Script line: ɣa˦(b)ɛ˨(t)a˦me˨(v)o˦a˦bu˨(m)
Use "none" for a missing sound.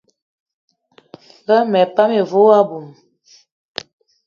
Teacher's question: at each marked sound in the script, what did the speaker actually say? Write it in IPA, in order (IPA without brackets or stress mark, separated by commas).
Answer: m, p, v, m